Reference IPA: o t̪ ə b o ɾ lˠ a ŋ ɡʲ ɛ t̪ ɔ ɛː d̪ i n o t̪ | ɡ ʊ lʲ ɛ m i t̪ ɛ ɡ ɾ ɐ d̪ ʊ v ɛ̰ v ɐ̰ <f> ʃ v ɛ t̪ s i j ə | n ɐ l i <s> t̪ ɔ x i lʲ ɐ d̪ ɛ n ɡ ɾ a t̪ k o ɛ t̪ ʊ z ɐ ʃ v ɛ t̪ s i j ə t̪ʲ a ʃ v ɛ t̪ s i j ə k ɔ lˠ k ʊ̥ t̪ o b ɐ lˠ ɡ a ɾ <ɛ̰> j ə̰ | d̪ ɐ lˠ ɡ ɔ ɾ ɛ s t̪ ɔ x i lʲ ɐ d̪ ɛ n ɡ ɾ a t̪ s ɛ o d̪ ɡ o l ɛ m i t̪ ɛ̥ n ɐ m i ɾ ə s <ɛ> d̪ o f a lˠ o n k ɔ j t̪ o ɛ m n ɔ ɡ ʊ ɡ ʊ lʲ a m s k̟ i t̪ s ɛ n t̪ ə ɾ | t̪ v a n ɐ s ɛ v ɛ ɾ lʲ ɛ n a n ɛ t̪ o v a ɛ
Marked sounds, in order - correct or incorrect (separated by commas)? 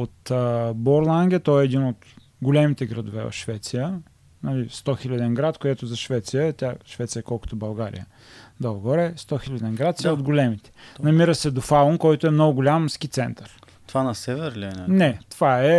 correct, correct, incorrect, correct